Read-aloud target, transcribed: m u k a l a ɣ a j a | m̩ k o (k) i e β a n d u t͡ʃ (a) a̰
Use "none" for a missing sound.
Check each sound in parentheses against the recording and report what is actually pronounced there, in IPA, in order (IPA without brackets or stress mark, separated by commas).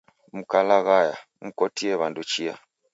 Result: t, i